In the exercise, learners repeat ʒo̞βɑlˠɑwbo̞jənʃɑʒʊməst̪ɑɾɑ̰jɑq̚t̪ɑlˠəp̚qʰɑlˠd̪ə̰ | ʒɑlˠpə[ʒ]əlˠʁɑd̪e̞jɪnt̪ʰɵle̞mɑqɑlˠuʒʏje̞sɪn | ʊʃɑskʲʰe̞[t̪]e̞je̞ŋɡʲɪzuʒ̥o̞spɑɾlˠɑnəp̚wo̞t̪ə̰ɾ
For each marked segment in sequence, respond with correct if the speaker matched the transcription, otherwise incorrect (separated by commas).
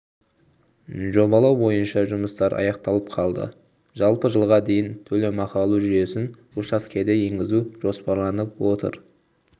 correct, incorrect